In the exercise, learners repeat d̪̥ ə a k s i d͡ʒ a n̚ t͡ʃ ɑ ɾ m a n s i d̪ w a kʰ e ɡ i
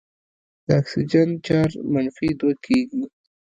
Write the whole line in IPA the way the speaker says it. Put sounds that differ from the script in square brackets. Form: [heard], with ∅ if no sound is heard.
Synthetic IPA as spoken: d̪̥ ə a k s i d͡ʒ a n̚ t͡ʃ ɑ ɾ m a n [f] i d̪ w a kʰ e ɡ i